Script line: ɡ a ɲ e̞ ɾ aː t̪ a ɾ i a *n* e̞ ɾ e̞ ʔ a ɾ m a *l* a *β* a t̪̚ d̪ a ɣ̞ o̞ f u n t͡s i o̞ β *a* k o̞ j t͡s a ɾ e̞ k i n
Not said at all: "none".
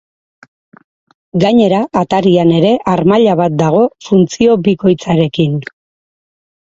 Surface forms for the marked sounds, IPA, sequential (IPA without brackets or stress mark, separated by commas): n, ʎ, β, i